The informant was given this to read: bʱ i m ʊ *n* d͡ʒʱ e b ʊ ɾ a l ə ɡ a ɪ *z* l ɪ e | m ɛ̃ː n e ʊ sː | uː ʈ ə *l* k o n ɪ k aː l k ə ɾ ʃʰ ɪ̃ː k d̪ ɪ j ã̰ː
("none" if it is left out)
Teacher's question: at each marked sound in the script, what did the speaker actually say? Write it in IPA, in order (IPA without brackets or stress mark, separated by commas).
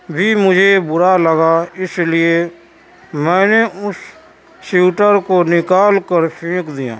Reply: none, s, ɾ